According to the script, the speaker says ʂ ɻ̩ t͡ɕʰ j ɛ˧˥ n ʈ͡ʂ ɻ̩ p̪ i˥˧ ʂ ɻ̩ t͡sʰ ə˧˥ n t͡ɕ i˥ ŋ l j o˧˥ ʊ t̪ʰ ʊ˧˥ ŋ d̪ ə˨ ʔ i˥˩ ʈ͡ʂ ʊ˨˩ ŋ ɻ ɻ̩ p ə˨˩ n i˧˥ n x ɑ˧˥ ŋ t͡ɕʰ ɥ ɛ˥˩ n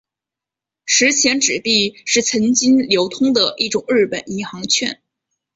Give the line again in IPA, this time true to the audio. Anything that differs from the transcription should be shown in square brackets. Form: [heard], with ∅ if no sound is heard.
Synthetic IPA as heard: ʂ ɻ̩ t͡ɕʰ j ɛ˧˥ n ʈ͡ʂ ɻ̩ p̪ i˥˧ ʂ ɻ̩ t͡sʰ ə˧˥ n t͡ɕ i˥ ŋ l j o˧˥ ʊ t̪ʰ [ʊ˥] ŋ d̪ ə˨ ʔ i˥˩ ʈ͡ʂ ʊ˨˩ ŋ ɻ ɻ̩ p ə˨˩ n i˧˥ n x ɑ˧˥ ŋ t͡ɕʰ ɥ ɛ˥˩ n